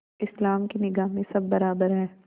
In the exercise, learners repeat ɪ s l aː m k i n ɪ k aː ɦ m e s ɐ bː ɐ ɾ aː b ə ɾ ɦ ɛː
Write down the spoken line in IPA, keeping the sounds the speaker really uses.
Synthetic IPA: ɪ s l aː m k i n ɪ ɡ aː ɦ m ẽ s ɐ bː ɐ ɾ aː b ə ɾ ɦ ɛː